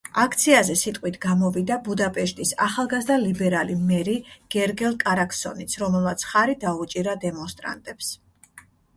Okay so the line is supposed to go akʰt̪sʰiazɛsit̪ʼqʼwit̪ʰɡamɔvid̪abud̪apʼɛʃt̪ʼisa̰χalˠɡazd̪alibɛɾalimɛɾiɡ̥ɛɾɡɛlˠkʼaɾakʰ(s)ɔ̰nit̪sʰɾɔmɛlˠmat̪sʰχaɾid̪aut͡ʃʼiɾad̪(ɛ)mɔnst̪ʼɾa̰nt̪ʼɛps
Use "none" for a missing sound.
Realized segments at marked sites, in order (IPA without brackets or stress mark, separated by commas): s, ɛ